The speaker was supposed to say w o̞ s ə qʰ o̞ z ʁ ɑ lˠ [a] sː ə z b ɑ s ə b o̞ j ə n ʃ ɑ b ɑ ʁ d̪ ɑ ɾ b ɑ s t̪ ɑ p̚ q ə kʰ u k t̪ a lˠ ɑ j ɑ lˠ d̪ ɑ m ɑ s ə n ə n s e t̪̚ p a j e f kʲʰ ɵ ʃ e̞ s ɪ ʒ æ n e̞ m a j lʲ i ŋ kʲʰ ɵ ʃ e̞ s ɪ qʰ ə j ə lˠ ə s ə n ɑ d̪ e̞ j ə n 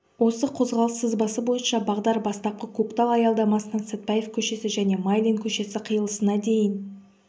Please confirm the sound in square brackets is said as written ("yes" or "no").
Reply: no